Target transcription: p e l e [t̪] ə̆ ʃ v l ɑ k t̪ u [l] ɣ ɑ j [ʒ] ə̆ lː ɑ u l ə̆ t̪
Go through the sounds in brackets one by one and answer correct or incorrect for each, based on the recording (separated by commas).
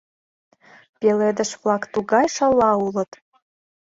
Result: incorrect, incorrect, incorrect